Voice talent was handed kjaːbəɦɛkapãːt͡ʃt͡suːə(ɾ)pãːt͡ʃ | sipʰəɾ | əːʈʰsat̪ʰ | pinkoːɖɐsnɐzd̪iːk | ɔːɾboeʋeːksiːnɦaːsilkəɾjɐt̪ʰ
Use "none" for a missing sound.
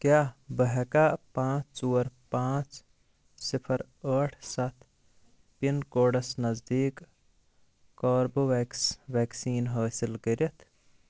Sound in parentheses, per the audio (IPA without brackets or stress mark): ɾ